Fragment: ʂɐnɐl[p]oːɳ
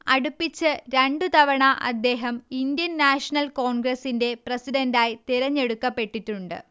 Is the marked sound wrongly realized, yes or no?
yes